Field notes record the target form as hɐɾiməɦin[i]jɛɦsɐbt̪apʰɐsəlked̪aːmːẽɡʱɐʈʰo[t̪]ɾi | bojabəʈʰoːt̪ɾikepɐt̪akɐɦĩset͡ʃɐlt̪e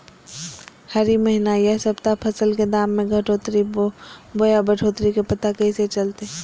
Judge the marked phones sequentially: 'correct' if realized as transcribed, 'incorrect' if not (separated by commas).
incorrect, correct